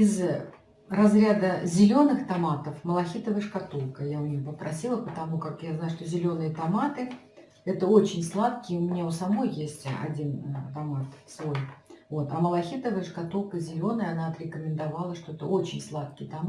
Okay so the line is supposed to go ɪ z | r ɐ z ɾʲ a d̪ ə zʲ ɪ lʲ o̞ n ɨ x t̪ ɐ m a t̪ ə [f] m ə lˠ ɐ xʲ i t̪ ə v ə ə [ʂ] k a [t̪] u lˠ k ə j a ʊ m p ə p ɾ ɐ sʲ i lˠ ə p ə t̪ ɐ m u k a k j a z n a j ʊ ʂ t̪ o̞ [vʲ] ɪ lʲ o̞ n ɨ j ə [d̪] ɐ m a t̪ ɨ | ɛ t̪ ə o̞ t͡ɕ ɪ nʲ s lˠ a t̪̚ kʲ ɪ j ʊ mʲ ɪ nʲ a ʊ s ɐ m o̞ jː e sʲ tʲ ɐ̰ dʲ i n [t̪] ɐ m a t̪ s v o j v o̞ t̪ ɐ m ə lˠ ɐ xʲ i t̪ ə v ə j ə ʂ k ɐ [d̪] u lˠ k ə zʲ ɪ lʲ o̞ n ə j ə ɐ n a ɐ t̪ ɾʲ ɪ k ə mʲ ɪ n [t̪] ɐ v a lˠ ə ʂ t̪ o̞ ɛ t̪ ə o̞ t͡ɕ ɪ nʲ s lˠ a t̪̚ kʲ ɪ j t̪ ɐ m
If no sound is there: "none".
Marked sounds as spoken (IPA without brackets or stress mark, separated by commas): f, ʂ, t̪, zʲ, t̪, t̪, t̪, d̪